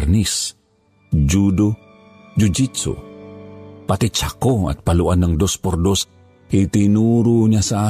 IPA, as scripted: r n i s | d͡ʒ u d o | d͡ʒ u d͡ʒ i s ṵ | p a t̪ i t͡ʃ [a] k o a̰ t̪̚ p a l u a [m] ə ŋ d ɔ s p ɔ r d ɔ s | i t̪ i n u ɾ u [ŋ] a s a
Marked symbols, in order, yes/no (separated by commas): yes, no, no